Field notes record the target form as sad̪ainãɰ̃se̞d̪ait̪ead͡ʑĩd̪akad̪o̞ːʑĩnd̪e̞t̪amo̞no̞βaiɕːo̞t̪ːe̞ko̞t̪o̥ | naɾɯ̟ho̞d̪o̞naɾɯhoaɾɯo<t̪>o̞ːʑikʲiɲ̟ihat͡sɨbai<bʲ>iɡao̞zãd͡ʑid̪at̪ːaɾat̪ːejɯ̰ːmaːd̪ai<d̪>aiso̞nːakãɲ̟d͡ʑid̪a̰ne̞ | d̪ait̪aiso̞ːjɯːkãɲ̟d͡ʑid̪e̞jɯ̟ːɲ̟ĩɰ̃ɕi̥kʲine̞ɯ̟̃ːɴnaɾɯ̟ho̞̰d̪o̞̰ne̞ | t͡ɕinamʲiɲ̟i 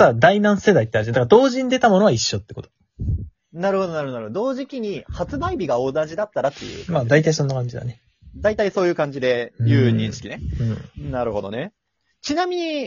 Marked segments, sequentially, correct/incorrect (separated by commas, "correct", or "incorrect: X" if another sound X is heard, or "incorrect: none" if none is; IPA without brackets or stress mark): incorrect: d̪, correct, incorrect: t̪